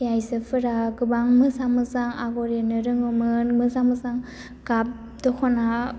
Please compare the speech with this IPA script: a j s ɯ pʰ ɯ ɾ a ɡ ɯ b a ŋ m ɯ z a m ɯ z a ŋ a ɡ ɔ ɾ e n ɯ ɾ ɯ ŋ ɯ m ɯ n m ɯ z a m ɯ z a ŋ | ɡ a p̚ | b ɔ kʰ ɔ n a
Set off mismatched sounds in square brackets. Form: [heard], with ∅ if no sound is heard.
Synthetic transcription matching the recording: a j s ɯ pʰ ɯ ɾ a ɡ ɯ b a ŋ m ɯ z a m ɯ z a ŋ a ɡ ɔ ɾ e n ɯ ɾ ɯ ŋ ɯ m ɯ n m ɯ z a m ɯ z a ŋ | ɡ a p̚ | [d] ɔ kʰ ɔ n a